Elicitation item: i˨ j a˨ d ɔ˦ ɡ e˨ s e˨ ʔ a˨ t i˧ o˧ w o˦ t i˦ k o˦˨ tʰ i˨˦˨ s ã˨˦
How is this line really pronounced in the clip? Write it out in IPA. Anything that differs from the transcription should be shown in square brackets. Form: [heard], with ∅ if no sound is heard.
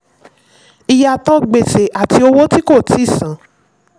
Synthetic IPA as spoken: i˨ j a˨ [t] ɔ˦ [ɡ͡b] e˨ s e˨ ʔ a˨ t i˧ o˧ w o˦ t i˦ k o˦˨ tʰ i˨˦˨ s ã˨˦